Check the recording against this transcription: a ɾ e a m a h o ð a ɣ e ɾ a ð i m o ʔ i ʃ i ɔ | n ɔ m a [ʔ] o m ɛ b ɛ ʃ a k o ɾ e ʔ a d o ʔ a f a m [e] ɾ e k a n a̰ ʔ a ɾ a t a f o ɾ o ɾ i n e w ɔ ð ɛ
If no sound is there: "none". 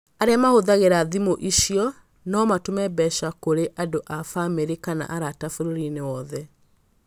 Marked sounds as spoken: t, e

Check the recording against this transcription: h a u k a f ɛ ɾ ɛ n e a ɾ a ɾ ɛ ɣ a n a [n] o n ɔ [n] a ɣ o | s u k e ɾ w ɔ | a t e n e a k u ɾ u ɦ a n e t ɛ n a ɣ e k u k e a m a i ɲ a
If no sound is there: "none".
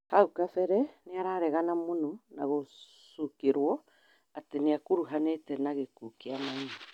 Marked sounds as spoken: m, n

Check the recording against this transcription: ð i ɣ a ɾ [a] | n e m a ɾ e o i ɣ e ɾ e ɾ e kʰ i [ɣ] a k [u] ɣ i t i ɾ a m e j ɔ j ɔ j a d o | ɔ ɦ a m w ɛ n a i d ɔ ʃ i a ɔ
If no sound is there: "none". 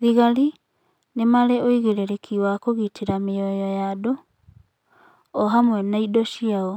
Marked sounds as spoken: i, w, o

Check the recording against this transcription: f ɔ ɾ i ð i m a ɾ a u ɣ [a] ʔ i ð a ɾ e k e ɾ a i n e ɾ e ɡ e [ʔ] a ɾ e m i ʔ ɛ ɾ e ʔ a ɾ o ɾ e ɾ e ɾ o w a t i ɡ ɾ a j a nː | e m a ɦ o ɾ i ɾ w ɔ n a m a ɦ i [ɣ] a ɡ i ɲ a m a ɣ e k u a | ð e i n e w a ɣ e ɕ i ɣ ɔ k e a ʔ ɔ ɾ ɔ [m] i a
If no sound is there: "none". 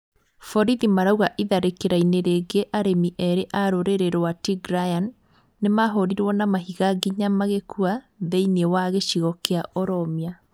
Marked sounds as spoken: a, ʔ, ɣ, m

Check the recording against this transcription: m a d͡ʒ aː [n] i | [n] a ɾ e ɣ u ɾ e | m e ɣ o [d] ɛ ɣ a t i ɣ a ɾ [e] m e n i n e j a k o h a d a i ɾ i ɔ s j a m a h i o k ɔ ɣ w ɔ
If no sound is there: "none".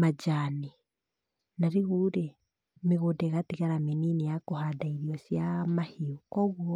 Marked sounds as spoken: n, n, d, a

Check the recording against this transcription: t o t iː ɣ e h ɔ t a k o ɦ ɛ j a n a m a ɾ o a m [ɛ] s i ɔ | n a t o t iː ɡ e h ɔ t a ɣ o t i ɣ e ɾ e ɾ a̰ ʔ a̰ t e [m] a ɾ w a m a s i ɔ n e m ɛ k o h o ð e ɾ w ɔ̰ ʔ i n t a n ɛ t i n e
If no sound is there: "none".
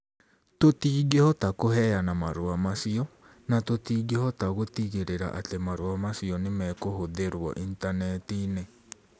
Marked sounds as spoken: a, m

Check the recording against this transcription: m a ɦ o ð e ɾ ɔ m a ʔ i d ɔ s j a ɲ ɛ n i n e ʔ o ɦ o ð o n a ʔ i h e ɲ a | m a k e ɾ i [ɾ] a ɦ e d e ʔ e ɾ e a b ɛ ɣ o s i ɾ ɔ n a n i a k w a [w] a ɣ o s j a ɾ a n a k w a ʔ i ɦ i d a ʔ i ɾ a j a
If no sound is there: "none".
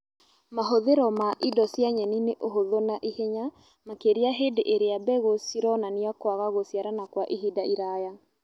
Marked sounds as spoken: none, ɣ

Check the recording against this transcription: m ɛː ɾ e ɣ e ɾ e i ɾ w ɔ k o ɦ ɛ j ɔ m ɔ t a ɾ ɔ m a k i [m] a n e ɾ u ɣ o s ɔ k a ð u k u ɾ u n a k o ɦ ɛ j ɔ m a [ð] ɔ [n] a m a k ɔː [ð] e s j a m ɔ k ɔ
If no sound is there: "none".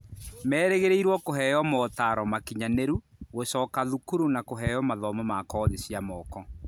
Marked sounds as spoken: ɲ, ð, m, ð

